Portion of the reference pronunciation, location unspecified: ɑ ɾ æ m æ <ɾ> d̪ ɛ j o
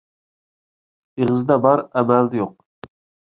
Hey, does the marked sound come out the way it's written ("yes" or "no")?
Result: no